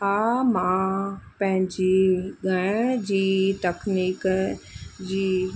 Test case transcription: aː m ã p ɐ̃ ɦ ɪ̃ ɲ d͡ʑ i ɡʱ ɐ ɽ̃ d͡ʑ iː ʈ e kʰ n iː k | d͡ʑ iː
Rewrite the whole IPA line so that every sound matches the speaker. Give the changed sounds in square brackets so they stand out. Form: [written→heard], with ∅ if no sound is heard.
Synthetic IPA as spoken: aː m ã p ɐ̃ ɦ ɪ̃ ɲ d͡ʑ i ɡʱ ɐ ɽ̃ d͡ʑ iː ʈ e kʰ n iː k | d͡ʑ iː